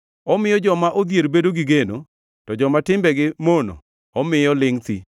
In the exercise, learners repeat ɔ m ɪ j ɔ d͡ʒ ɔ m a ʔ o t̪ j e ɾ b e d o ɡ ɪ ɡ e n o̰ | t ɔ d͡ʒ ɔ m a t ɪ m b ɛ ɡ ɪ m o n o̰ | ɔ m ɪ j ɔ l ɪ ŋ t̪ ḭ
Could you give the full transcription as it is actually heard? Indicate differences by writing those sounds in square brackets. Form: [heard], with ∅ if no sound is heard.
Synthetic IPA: ɔ m ɪ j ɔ d͡ʒ ɔ m a ʔ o [d̪] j e ɾ b e d o ɡ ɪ ɡ e n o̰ | t ɔ d͡ʒ ɔ m a t ɪ m b ɛ ɡ ɪ m o n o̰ | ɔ m ɪ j ɔ l ɪ ŋ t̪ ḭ